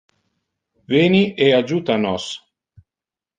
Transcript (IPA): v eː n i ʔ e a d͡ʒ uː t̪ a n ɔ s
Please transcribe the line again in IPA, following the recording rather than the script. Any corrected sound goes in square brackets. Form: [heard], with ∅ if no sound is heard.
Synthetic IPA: v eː n i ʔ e a d͡ʒ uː t̪ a n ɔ s